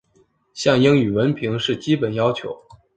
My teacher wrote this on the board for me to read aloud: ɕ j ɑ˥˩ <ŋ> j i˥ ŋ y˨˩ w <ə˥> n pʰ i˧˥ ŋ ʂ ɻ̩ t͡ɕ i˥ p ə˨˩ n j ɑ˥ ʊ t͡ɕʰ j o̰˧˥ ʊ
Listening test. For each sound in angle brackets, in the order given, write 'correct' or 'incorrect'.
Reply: correct, incorrect: ə˧˥

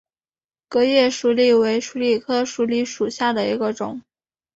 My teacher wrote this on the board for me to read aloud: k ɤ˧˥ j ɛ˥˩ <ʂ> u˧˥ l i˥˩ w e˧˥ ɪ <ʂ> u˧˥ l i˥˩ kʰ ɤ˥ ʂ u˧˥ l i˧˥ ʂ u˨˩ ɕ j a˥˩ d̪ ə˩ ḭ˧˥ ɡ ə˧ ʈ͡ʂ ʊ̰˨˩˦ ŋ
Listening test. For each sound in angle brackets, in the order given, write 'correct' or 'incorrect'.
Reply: correct, correct

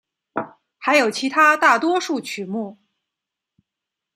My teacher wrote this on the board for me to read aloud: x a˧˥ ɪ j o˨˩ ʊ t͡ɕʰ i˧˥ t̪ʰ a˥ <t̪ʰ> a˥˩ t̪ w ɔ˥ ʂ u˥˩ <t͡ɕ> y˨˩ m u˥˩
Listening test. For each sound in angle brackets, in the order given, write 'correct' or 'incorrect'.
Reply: incorrect: t̪, incorrect: t͡ɕʰ

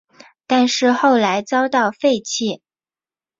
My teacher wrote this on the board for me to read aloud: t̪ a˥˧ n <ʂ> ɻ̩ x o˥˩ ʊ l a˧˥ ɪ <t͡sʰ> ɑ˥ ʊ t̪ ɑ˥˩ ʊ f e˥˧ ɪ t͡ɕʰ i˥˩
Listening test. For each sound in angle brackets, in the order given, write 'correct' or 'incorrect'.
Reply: correct, incorrect: t͡s

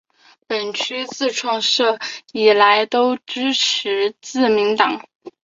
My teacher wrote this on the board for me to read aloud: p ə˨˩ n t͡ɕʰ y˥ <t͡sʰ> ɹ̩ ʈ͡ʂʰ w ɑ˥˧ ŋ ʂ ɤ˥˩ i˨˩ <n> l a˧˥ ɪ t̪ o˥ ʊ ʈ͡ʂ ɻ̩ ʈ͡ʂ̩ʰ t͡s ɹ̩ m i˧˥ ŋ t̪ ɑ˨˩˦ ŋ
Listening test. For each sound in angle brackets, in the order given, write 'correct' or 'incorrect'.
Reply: incorrect: t͡s, incorrect: none

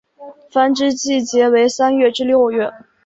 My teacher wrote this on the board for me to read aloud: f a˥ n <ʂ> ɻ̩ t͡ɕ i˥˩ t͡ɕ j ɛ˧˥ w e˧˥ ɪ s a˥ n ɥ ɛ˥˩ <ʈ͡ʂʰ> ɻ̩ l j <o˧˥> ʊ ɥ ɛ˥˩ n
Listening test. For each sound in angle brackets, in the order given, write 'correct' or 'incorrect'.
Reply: incorrect: ʈ͡ʂ, incorrect: ʈ͡ʂ, incorrect: o˥˧

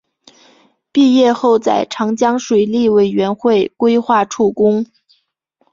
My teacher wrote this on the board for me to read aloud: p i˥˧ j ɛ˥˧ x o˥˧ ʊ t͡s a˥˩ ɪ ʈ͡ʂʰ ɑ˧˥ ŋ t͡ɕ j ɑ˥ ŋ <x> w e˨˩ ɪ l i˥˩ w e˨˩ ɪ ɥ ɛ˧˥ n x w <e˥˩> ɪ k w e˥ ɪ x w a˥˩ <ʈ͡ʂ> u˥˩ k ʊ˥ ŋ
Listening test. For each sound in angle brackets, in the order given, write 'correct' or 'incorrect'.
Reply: incorrect: ʂ, correct, incorrect: ʈ͡ʂʰ

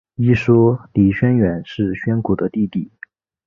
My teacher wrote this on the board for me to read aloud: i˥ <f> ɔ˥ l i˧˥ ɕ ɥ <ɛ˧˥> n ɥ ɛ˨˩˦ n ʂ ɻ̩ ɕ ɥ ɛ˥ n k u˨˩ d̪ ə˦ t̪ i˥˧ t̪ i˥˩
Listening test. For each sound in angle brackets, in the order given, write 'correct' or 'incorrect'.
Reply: incorrect: ʂ, incorrect: ɛ˥

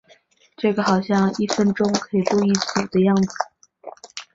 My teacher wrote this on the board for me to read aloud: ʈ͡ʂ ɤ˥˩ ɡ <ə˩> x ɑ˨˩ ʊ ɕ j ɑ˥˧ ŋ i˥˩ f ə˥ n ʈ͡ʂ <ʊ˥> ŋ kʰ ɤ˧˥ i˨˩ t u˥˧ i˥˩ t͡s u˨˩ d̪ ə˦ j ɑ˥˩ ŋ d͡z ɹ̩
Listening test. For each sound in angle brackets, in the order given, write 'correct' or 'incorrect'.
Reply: correct, correct

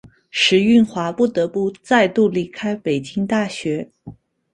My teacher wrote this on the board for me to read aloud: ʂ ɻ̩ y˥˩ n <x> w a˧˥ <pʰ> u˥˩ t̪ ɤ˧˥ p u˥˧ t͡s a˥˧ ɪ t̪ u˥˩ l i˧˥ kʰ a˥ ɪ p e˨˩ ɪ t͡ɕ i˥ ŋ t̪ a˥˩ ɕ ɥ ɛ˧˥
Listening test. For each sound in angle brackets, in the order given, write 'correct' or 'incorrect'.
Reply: correct, incorrect: p

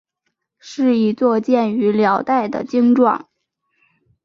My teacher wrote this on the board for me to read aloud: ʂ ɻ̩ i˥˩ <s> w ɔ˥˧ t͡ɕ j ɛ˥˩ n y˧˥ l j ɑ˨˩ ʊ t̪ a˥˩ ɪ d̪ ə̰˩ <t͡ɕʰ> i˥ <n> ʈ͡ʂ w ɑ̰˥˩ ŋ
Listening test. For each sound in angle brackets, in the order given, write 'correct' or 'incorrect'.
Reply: incorrect: t͡s, incorrect: t͡ɕ, incorrect: ŋ

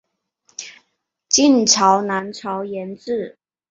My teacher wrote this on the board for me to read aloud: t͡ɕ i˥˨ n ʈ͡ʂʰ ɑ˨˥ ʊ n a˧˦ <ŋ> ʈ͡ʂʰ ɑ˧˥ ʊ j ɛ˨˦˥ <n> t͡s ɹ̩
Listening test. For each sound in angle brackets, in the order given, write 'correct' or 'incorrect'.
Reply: incorrect: n, correct

